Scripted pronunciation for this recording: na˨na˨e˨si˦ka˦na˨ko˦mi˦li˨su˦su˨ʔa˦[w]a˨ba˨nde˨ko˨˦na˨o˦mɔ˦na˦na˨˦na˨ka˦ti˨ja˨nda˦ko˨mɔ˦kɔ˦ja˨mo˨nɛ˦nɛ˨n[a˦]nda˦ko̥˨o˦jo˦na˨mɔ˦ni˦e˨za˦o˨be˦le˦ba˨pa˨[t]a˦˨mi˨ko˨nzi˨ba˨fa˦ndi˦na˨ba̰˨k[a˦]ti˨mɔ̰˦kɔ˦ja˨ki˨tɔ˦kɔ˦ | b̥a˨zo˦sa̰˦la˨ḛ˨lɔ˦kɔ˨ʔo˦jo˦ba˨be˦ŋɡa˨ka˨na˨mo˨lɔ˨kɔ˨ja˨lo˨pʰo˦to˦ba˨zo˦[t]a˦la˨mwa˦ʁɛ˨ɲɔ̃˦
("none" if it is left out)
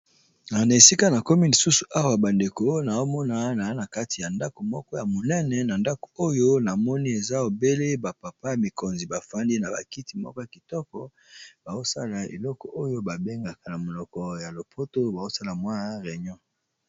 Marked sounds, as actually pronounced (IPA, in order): w, a˨, p, i˦, s

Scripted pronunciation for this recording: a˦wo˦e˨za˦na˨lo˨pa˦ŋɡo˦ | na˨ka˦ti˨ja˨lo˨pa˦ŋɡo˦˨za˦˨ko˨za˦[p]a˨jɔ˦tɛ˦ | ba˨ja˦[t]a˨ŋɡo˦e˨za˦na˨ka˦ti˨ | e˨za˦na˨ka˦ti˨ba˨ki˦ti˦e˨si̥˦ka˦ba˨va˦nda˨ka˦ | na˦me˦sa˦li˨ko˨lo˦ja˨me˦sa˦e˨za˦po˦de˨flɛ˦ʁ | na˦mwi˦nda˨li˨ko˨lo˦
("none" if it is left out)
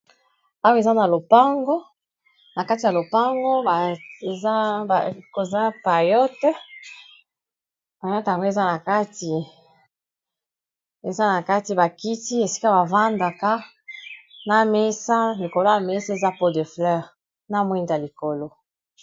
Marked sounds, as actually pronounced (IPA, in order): p, t

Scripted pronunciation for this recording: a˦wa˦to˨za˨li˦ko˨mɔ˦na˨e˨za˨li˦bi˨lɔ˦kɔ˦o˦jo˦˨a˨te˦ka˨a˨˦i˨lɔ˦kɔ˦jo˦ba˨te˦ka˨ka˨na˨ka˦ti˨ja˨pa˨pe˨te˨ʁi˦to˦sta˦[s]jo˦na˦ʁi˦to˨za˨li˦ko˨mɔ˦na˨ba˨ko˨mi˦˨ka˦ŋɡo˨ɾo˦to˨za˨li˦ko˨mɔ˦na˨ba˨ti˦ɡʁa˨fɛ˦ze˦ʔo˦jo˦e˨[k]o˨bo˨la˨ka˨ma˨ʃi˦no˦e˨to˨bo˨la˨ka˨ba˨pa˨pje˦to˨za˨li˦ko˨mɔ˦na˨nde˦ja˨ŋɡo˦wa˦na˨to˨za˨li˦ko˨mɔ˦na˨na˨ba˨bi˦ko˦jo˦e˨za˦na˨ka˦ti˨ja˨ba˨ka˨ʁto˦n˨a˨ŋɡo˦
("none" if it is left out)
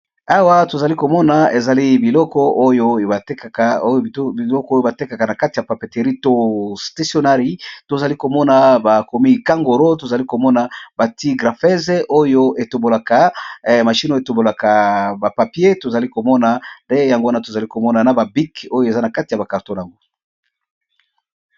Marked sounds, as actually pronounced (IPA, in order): s, t

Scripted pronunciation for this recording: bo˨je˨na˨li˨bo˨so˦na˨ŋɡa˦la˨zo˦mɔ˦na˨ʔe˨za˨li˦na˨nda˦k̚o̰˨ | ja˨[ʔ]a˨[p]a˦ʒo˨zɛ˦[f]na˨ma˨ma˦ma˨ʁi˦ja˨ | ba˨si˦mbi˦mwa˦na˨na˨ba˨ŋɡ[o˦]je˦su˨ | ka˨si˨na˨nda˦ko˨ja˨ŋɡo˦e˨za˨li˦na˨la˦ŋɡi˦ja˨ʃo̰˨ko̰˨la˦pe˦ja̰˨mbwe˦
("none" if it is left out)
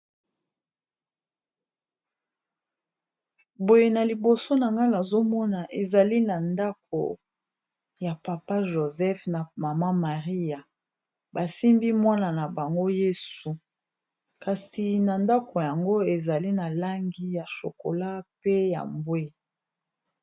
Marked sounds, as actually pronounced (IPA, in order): p, p, f, o˦

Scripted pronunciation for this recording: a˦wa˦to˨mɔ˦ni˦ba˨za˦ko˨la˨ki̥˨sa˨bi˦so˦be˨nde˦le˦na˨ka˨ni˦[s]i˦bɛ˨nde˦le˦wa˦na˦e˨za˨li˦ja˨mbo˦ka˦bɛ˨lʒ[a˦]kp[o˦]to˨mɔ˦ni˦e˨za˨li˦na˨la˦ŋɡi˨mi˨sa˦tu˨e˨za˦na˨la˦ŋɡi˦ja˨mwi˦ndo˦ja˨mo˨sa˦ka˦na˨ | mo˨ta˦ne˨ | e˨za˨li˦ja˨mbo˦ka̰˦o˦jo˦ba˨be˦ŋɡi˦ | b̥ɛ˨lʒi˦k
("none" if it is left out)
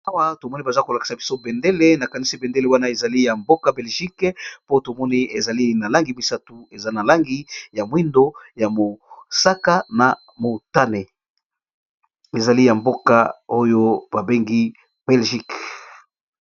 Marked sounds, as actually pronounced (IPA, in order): s, i˦, o˦

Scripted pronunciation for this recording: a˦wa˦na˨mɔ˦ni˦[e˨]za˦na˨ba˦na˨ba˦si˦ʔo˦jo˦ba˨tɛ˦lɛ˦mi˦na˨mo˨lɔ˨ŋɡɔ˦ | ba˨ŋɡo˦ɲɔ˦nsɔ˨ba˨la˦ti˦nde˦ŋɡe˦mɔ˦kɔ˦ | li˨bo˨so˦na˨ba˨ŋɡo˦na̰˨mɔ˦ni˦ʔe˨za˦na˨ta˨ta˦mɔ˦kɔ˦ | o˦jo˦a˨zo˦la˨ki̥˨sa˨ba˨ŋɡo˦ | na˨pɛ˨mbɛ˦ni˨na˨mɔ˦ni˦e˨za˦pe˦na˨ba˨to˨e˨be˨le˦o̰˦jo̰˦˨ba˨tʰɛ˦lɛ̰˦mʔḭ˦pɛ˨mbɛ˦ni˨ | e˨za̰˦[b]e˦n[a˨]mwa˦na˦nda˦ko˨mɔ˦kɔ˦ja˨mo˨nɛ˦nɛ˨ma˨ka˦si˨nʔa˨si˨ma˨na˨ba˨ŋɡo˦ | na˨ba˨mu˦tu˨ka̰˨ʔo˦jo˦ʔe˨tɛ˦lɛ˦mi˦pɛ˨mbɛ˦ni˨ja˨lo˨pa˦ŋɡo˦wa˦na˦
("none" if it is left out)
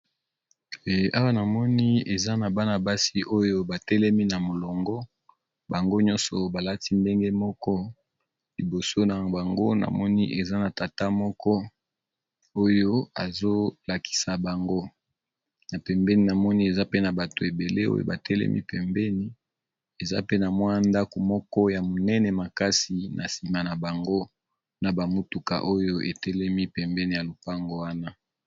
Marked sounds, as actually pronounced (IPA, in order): e˨, p, a˨

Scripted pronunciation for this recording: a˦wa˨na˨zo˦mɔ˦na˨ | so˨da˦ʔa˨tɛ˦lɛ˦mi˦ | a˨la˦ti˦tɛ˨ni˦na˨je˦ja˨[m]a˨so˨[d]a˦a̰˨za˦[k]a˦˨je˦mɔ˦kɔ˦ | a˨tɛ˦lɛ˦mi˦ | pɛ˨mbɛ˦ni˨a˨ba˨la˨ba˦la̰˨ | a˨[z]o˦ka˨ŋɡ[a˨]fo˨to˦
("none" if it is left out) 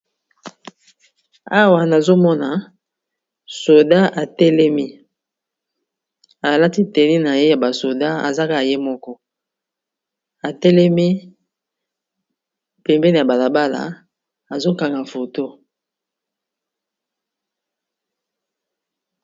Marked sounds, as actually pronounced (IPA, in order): b, d, k, z, a˨

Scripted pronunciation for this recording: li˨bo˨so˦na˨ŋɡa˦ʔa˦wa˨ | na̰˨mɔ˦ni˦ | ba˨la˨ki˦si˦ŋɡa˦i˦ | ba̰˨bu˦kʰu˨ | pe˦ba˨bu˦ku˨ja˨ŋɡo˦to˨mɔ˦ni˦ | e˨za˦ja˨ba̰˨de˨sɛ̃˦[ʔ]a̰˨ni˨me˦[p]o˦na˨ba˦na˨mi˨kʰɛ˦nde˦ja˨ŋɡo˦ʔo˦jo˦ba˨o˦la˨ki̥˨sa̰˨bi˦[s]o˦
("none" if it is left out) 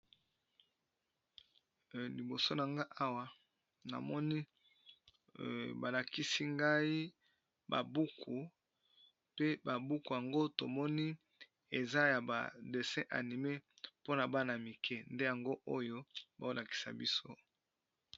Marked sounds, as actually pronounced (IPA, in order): ʔ, p, s

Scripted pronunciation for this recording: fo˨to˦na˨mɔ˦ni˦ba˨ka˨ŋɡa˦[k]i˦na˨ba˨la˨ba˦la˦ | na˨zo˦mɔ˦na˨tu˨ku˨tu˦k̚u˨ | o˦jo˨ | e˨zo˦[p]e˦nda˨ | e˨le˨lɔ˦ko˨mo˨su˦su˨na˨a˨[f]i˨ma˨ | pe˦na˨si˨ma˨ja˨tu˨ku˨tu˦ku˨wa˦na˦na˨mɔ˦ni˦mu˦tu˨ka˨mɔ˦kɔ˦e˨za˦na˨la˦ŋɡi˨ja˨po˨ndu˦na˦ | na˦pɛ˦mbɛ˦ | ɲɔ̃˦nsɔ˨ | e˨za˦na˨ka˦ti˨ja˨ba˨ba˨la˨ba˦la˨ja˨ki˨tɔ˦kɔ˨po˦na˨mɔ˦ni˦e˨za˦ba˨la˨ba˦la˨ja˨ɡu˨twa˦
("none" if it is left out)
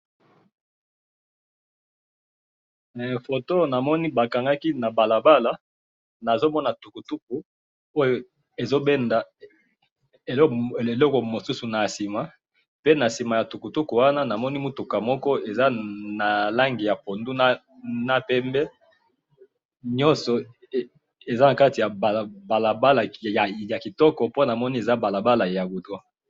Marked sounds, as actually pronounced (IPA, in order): k, b, s

